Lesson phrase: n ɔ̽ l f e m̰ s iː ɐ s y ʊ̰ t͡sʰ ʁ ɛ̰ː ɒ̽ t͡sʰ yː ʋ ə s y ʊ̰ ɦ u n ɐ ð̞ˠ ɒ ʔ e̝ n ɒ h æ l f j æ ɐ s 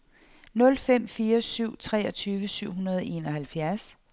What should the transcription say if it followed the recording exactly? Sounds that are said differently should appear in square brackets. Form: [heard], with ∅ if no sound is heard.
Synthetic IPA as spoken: n ɔ̽ l f e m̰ [f] iː ɐ s y ʊ̰ t͡sʰ ʁ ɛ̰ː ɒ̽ t͡sʰ yː ʋ ə s y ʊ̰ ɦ u n ɐ ð̞ˠ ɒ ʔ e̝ n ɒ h æ l f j æ ɐ s